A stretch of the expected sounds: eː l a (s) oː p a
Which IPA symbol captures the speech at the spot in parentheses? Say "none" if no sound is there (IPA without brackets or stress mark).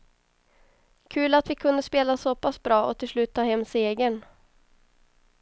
s